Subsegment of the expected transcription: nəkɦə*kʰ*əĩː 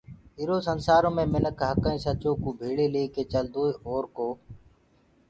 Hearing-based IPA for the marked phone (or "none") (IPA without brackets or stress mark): k